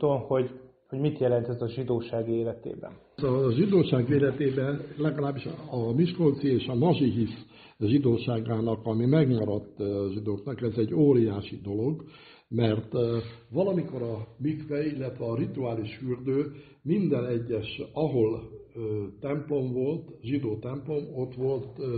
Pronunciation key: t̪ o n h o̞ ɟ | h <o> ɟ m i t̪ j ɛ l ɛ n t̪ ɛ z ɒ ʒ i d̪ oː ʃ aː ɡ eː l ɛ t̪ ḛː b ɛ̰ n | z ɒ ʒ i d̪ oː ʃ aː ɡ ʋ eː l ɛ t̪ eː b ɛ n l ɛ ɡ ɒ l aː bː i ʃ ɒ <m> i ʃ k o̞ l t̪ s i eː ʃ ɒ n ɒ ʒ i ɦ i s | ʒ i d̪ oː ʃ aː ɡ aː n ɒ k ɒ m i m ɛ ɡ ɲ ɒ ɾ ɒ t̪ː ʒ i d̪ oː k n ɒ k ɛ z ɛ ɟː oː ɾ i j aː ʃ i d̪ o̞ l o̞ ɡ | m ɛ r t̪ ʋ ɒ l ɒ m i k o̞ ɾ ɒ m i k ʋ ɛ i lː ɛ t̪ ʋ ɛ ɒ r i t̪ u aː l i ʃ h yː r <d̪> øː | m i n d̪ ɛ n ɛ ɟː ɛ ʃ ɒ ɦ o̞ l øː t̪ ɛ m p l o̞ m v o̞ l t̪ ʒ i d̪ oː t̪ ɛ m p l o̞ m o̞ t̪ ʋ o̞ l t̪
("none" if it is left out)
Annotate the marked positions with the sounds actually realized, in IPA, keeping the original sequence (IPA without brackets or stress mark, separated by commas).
o, m, d̪